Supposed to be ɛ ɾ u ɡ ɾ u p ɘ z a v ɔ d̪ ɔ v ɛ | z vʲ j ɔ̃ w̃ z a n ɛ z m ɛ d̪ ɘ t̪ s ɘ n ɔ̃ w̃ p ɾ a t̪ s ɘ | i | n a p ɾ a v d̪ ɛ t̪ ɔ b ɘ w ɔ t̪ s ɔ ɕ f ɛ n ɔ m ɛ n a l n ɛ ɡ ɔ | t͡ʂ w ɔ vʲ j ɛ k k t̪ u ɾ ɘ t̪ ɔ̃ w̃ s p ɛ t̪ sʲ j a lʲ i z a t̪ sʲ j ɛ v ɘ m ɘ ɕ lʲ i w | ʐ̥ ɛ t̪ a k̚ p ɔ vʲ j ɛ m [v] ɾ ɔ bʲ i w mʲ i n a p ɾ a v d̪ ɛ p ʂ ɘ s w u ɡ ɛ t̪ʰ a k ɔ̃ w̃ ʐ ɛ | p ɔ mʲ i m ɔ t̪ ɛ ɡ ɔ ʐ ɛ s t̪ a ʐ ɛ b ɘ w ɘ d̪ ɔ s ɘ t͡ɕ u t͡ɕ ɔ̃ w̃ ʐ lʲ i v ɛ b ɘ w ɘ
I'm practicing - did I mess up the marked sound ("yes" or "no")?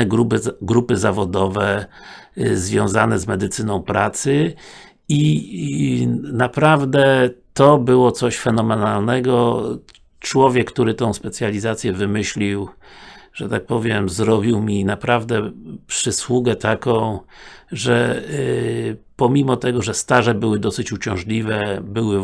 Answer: yes